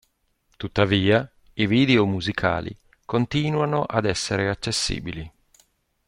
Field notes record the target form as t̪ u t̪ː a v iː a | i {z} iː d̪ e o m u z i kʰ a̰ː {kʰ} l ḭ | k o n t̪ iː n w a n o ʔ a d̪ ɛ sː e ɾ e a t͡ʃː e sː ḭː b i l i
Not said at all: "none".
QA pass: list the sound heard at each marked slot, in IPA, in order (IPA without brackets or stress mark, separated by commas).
v, none